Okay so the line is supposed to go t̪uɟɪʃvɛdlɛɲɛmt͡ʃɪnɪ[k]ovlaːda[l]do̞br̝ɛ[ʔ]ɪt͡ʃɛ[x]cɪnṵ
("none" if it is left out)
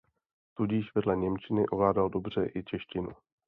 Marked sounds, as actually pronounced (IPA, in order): ʔ, l, ʔ, ʃ

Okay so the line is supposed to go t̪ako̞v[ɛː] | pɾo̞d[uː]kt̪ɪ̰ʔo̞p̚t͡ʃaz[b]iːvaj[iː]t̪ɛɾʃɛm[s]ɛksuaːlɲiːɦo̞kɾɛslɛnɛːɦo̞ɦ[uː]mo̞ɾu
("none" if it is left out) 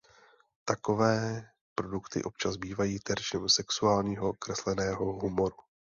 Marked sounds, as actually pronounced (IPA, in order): ɛː, u, b, iː, s, u

